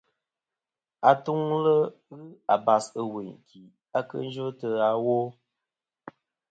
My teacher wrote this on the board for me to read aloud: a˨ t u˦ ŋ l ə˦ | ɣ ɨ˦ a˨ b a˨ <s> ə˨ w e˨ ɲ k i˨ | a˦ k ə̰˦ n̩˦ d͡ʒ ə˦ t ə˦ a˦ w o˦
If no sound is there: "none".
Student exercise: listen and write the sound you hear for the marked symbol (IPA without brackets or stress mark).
s